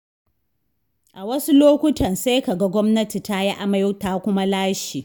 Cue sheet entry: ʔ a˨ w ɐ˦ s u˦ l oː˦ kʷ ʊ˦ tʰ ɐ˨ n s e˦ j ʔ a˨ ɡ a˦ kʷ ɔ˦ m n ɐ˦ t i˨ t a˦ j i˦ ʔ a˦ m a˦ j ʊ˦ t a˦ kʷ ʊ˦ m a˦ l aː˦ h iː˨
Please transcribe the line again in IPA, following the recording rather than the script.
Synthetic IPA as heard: ʔ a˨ w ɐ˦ s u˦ l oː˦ kʷ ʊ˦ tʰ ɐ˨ n s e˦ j k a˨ ɡ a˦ ɡʷ ɔ˦ m n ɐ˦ t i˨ t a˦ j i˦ ʔ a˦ m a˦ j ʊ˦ t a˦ kʷ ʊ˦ m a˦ l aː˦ ʃ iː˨